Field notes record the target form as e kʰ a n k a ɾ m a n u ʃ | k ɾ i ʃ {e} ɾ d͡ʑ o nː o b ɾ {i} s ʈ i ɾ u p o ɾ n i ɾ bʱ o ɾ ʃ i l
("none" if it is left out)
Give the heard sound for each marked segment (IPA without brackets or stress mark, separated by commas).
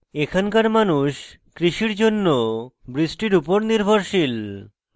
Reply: i, i